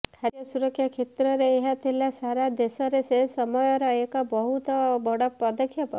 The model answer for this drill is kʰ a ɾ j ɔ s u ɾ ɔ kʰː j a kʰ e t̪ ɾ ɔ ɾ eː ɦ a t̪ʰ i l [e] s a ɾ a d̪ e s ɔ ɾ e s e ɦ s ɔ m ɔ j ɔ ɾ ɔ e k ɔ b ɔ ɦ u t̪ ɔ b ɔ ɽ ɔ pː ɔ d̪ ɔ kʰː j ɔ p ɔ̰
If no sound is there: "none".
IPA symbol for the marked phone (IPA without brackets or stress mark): a